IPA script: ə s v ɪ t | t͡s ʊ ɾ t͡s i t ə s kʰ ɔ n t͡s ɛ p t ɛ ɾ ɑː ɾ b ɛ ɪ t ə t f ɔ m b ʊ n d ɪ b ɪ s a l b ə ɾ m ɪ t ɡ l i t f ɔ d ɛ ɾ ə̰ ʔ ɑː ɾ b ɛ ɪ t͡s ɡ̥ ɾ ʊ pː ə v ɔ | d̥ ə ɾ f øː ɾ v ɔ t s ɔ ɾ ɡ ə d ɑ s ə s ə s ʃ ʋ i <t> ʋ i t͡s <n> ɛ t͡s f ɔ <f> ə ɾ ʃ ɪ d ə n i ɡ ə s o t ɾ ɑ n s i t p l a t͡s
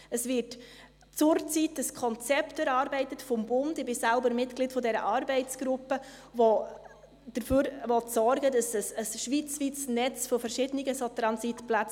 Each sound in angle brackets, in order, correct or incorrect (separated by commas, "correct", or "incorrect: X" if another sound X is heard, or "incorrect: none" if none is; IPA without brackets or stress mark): incorrect: t͡s, correct, correct